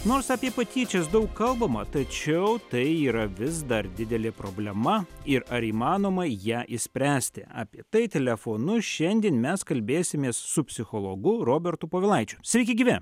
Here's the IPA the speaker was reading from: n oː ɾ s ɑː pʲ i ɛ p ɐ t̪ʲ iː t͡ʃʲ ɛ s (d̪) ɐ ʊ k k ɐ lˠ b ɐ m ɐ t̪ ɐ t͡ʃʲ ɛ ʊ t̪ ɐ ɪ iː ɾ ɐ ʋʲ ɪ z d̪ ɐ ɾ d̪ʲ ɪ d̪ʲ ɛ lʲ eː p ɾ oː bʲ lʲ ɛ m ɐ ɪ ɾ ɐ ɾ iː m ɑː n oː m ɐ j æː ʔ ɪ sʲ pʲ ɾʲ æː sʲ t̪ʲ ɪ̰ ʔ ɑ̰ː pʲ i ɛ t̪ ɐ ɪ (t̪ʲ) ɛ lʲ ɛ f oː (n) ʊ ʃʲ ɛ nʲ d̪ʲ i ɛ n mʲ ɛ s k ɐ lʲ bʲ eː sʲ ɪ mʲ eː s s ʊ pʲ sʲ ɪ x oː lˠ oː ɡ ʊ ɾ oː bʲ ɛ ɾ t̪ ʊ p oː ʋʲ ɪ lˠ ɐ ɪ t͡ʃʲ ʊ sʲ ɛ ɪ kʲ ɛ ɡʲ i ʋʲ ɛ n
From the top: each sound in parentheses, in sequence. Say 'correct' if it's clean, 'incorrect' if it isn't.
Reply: correct, correct, correct

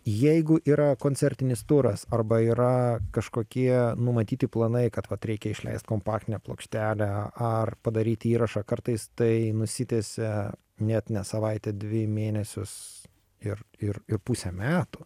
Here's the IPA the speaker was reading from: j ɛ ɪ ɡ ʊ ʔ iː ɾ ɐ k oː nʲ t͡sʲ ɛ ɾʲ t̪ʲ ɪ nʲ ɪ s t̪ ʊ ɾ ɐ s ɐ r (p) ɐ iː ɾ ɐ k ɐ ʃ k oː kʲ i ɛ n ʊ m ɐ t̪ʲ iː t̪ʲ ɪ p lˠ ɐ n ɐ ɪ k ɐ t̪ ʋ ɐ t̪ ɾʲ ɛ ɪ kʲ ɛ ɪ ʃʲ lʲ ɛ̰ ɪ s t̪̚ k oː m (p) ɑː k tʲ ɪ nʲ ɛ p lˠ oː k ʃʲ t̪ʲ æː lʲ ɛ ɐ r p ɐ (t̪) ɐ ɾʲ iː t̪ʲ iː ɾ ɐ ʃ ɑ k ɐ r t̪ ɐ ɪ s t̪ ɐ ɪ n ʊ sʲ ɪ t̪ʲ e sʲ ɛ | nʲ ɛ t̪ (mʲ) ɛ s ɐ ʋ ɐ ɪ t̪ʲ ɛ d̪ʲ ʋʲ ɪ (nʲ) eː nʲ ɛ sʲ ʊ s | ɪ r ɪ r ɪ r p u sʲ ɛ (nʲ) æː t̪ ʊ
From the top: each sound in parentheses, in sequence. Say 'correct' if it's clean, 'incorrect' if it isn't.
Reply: incorrect, correct, incorrect, incorrect, incorrect, incorrect

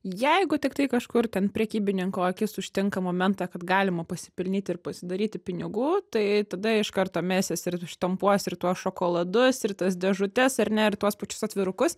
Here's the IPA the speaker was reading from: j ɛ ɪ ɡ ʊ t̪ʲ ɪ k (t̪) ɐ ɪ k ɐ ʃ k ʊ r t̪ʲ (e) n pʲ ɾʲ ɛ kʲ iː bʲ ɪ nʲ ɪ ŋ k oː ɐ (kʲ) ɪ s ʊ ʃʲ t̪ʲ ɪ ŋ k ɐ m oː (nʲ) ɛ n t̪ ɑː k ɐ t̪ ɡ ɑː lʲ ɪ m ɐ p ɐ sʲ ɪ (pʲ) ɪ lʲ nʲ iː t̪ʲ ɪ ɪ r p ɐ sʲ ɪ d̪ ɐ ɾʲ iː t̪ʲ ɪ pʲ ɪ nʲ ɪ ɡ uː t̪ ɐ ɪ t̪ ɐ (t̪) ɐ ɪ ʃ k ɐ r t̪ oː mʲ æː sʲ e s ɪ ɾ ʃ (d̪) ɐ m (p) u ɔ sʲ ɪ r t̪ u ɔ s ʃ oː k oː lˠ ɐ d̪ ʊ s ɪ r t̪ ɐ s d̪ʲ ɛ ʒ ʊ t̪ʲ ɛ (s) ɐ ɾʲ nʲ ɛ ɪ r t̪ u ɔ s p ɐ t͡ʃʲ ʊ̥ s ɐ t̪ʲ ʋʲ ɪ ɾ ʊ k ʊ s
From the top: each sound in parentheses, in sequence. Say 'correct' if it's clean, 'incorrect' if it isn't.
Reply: correct, incorrect, correct, incorrect, correct, incorrect, incorrect, correct, correct

